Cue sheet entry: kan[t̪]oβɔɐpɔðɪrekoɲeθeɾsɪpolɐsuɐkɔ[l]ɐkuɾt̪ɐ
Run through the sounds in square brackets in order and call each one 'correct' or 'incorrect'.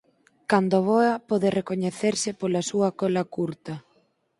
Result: incorrect, correct

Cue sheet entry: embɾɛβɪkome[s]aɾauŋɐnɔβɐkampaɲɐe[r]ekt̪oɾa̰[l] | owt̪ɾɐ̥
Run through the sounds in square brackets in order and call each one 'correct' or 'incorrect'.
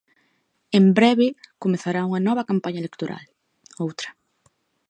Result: incorrect, incorrect, correct

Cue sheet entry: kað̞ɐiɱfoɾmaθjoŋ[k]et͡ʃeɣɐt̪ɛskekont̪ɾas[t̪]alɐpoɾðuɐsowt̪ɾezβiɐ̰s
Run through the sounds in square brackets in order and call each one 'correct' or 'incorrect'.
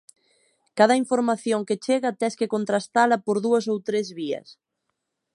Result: correct, correct

